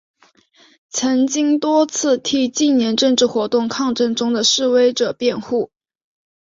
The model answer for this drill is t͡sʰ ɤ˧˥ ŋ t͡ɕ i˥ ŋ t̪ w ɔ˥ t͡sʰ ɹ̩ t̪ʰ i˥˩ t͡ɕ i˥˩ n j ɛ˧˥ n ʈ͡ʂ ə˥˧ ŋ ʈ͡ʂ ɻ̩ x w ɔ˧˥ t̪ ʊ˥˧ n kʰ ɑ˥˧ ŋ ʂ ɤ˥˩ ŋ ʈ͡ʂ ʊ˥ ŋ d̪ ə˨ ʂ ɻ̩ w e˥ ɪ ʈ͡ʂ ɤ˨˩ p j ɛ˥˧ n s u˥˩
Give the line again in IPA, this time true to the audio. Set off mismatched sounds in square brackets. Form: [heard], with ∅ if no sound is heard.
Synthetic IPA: t͡sʰ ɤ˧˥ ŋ t͡ɕ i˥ ŋ t̪ w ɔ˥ t͡sʰ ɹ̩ t̪ʰ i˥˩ t͡ɕ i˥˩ n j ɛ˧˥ n ʈ͡ʂ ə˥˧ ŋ ʈ͡ʂ ɻ̩ x w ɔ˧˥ t̪ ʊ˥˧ [ŋ] kʰ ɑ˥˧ ŋ [ʈ͡ʂ] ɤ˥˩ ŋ ʈ͡ʂ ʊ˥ ŋ d̪ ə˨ ʂ ɻ̩ w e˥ ɪ ʈ͡ʂ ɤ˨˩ p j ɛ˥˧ n [x] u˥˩